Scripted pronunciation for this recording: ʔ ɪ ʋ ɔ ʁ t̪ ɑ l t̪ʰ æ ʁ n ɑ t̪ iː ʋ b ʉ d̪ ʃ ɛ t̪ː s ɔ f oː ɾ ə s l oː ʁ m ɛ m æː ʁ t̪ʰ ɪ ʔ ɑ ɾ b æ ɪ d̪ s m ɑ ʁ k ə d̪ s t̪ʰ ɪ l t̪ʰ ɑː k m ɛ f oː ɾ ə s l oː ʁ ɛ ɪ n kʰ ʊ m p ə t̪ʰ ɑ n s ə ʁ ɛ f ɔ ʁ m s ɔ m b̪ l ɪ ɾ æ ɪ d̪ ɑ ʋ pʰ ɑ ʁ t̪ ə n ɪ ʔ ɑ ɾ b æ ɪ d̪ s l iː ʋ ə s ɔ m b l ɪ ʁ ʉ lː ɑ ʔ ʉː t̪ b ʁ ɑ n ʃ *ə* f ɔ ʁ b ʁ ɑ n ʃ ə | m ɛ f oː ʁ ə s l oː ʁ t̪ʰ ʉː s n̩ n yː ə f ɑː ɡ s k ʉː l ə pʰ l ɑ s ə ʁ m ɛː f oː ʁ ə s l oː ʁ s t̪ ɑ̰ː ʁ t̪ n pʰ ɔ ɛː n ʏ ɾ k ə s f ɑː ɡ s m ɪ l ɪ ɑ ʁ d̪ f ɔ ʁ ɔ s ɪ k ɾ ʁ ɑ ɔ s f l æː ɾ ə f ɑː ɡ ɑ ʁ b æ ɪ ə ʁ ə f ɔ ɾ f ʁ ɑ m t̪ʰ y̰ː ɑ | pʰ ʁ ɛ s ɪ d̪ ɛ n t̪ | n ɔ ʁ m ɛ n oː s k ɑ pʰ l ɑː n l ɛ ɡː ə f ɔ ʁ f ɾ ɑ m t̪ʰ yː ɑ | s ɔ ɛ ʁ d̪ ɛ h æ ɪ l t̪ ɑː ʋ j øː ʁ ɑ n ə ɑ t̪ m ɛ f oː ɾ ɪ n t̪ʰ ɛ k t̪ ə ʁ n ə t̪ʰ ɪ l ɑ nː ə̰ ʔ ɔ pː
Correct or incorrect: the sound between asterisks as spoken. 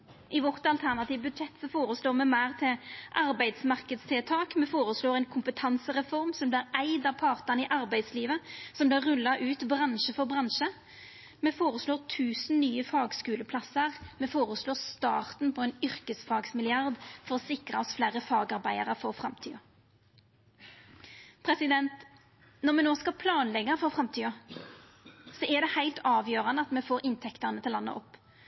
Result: correct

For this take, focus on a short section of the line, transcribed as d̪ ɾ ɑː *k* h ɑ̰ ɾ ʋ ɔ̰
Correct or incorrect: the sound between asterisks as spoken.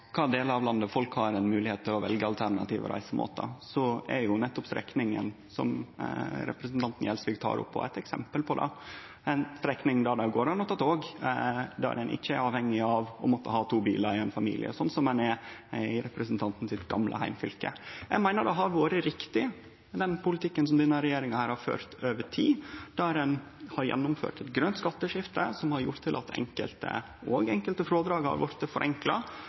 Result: incorrect: ɡ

